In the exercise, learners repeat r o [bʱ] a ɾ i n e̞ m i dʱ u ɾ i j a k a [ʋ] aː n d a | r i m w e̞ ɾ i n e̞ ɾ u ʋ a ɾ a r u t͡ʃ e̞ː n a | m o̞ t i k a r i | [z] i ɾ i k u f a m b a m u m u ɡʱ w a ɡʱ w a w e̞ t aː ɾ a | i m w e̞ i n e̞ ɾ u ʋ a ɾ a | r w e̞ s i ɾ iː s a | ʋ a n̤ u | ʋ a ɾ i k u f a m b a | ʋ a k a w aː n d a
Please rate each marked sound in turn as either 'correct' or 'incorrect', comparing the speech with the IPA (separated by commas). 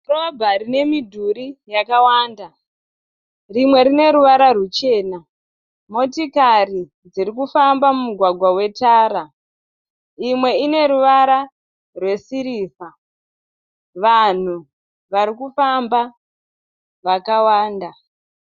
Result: correct, incorrect, incorrect